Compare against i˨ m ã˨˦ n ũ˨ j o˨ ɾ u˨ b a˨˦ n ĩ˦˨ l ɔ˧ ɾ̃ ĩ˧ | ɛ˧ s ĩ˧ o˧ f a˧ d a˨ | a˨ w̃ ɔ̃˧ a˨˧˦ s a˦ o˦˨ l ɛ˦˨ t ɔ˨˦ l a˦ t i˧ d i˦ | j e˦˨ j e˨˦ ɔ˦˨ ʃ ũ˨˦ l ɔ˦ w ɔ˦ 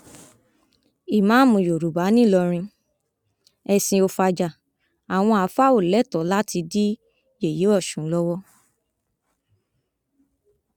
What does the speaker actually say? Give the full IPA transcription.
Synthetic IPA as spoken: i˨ m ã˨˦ m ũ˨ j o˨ ɾ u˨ b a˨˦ n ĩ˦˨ l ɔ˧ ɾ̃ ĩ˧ | ɛ˧ s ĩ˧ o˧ f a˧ d͡ʒ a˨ | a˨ w̃ ɔ̃˧ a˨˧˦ f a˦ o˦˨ l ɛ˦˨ t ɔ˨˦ l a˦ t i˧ d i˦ | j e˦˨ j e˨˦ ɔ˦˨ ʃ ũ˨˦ l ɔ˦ w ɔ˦